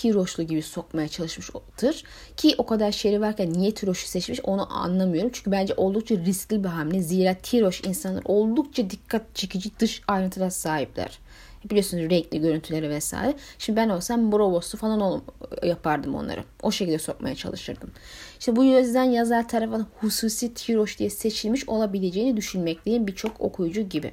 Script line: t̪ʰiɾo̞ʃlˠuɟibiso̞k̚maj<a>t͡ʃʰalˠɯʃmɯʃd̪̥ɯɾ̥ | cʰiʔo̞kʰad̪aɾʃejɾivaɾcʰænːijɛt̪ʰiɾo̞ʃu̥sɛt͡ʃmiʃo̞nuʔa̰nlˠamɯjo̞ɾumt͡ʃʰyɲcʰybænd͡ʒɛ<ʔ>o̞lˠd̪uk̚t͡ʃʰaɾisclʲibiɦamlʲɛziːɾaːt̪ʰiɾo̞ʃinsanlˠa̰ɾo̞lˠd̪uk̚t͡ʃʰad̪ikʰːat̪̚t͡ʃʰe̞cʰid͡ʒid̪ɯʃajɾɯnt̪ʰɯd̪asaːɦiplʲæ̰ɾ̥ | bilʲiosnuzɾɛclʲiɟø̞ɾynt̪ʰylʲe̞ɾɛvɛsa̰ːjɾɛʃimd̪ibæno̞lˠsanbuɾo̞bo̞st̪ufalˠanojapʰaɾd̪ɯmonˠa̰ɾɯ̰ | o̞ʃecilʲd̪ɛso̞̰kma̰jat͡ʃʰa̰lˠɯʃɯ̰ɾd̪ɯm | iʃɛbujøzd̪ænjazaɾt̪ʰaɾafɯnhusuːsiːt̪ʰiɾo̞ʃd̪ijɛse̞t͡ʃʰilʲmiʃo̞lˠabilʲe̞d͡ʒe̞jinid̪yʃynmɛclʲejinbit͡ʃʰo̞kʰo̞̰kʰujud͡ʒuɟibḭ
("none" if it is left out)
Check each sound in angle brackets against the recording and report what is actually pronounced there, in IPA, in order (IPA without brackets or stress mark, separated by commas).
a, ʔ